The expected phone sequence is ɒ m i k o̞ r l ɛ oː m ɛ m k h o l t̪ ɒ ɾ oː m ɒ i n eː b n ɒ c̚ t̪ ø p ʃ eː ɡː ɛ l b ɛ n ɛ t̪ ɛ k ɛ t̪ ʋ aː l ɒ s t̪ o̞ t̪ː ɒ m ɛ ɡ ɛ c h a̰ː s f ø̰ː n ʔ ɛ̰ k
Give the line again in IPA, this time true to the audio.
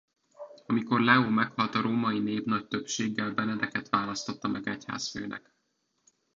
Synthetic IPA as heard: ɒ m i k o̞ r l ɛ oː m ɛ k h ɒ l t̪ ɒ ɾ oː m ɒ i n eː b n ɒ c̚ t̪ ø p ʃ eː ɡː ɛ l b ɛ n ɛ d̪ ɛ k ɛ t̪ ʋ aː l ɒ s t̪ o̞ t̪ː ɒ m ɛ ɡ ɛ c h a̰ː s f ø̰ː n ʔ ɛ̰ k